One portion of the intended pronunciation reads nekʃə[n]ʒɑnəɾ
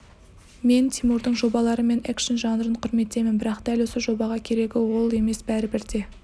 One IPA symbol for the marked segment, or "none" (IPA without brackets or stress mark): n